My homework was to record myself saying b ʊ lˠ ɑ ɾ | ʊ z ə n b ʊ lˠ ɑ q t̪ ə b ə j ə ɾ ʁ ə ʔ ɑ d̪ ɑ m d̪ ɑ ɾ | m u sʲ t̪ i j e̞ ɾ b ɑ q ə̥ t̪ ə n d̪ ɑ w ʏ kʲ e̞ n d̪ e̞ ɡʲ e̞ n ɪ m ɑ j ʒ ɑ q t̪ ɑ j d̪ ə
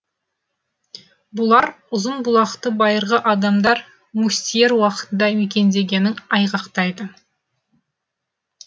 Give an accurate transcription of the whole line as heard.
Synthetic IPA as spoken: b ʊ lˠ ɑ ɾ | ʊ z ə n b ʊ lˠ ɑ q t̪ ə b ɑ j ə ɾ ʁ ə ʔ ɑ d̪ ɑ m d̪ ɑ ɾ | m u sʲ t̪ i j e̞ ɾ w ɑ q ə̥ t̪ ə n d̪ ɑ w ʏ kʲ e̞ n d̪ e̞ ɡʲ e̞ n ɪ ŋ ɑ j ʁ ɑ q t̪ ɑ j d̪ ə